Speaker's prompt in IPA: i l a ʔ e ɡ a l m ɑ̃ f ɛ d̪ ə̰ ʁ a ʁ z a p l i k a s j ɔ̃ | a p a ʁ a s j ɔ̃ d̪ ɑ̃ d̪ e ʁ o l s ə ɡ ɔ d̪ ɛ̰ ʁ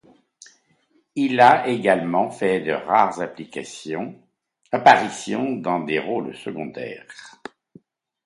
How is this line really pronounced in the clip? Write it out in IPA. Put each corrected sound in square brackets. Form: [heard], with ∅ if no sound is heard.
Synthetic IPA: i l a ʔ e ɡ a l m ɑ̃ f ɛ d̪ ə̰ ʁ a ʁ z a p l i k a s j ɔ̃ | a p a ʁ [i] s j ɔ̃ d̪ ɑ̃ d̪ e ʁ o l s ə ɡ [ɔ̃] d̪ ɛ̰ ʁ